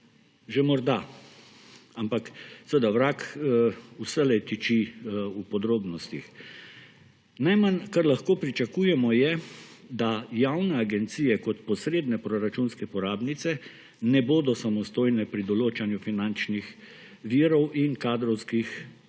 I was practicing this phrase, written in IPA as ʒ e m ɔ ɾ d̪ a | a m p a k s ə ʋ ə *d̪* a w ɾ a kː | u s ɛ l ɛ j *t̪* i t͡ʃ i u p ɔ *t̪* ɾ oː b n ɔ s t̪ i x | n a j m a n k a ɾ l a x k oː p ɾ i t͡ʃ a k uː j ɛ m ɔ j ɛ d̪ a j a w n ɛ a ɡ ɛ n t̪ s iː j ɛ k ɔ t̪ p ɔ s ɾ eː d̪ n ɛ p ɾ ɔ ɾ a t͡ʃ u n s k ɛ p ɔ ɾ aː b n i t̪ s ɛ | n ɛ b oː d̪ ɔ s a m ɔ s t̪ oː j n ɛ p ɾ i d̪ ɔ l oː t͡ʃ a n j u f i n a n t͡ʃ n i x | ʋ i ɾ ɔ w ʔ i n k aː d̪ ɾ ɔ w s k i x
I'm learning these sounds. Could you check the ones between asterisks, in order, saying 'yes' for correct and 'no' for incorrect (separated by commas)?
yes, yes, no